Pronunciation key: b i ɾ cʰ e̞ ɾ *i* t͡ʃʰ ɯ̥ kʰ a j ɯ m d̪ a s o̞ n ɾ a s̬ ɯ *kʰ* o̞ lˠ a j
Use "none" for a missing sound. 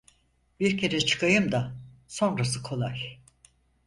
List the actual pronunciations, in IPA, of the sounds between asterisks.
ɛ, kʰ

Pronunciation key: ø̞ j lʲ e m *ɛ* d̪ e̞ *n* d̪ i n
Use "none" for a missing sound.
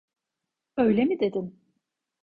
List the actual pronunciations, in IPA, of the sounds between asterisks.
i, none

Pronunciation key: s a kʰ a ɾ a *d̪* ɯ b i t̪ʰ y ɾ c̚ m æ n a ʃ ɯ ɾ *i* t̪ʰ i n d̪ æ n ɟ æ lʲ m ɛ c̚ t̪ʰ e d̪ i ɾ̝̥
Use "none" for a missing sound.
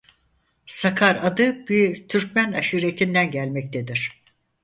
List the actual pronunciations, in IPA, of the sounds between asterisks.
d̪, e

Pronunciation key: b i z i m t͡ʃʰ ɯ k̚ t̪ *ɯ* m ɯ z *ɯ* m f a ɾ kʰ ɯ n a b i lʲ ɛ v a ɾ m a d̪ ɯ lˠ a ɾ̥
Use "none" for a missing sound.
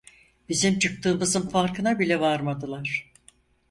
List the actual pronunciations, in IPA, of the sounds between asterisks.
ɯː, ɯ

